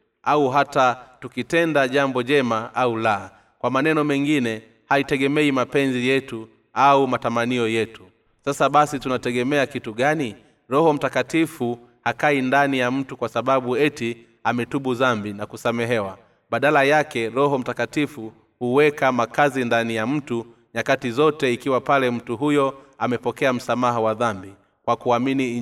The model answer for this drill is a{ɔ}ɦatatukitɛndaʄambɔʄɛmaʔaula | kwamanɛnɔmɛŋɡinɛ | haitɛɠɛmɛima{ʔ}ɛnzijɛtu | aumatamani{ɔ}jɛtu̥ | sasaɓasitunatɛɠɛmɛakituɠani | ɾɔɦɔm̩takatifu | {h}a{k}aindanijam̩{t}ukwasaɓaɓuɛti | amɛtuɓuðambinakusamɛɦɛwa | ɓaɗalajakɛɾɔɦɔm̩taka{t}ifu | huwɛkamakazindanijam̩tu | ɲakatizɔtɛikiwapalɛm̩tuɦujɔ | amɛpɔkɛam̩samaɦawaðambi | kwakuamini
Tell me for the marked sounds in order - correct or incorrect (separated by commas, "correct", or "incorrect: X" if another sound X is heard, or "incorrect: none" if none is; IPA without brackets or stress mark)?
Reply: incorrect: u, incorrect: p, correct, correct, correct, correct, correct